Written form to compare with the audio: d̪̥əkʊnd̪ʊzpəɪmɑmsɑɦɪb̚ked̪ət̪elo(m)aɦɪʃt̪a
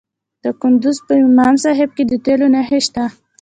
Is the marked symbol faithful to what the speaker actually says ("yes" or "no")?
no